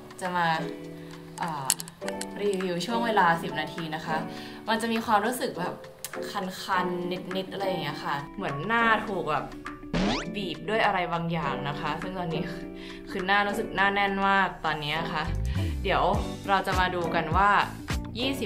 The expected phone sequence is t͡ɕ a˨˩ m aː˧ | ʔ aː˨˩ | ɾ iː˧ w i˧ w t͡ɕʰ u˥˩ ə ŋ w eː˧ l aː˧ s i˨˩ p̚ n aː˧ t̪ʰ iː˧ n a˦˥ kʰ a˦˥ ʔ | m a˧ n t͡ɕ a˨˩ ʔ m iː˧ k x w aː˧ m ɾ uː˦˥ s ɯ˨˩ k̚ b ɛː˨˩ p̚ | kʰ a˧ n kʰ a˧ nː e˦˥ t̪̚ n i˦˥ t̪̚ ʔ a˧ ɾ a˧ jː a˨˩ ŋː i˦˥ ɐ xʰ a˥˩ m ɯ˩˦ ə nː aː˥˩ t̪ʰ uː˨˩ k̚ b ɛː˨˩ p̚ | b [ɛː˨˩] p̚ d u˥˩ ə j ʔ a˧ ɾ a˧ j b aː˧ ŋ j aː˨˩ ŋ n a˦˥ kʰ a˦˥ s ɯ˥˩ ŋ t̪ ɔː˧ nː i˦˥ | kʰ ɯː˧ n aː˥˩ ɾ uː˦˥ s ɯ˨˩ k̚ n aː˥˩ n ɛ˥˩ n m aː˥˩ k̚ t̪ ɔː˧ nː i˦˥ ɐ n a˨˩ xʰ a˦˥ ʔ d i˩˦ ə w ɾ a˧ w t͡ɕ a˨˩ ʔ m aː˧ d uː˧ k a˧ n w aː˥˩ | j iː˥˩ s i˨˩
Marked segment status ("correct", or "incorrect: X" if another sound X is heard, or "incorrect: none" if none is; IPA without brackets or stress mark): incorrect: iː˨˩